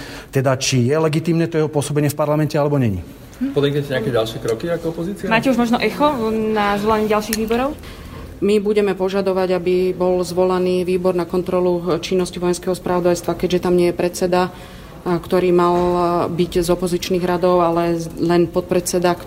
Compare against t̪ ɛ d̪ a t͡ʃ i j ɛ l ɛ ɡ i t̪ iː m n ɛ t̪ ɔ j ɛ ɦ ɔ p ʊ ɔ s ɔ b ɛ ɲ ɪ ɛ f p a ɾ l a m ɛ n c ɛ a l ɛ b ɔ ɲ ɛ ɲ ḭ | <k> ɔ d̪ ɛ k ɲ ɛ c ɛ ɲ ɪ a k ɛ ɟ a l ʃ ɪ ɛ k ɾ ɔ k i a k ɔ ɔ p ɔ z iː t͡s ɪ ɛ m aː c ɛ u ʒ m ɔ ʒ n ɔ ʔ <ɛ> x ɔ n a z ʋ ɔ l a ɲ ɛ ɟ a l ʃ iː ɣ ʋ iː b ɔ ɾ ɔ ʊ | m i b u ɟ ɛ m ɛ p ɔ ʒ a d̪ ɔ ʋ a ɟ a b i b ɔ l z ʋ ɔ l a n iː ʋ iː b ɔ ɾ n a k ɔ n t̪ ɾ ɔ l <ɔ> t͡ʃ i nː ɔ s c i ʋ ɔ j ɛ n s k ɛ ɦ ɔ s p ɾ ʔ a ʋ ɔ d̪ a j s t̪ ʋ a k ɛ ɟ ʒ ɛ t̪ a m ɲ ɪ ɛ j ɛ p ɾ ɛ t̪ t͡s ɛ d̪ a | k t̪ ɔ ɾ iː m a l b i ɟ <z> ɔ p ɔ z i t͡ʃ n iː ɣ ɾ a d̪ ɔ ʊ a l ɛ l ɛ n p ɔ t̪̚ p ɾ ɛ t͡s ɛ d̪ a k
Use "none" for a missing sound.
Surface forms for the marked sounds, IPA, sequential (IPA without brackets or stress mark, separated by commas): p, ɛ, u, z